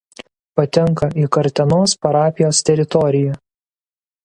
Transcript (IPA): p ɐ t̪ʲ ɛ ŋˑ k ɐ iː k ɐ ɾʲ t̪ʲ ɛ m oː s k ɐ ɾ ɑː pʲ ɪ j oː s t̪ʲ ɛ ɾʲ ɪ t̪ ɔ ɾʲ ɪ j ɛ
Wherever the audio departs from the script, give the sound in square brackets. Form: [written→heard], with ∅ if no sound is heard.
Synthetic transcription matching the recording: p ɐ t̪ʲ ɛ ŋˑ k ɐ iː k ɐ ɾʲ t̪ʲ ɛ [m→n] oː s [k→p] ɐ ɾ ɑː pʲ ɪ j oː s t̪ʲ ɛ ɾʲ ɪ t̪ ɔ ɾʲ ɪ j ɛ

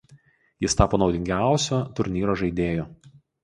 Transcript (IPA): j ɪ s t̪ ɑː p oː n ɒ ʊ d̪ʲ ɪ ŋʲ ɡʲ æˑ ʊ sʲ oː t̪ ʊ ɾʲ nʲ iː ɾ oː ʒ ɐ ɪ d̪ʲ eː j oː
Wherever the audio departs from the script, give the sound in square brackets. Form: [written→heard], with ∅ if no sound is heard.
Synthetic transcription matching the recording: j ɪ s t̪ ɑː p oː n ɒ ʊ d̪ʲ ɪ ŋʲ ɡʲ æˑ ʊ sʲ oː t̪ ʊ ɾʲ nʲ iː ɾ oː ʒ ɐ ɪ d̪ʲ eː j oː

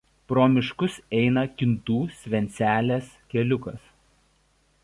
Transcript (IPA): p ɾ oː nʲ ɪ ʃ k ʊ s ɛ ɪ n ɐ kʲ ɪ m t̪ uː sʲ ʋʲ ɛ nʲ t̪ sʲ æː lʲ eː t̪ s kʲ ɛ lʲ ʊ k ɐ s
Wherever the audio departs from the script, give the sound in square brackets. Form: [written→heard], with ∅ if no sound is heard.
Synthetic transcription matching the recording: p ɾ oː [nʲ→mʲ] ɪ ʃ k ʊ s ɛ ɪ n ɐ kʲ ɪ [m→n] t̪ uː sʲ ʋʲ ɛ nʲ t̪ sʲ æː lʲ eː [t̪→∅] s kʲ ɛ lʲ ʊ k ɐ s

